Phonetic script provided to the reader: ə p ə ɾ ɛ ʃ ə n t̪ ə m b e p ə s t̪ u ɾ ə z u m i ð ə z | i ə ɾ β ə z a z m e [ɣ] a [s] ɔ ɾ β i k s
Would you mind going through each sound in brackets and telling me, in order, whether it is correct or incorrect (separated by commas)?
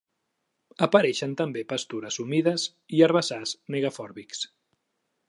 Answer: correct, incorrect